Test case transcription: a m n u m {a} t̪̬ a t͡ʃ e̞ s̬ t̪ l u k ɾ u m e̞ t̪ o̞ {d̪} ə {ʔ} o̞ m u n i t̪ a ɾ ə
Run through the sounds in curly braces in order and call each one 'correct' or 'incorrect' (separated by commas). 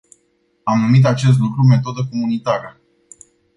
incorrect, correct, incorrect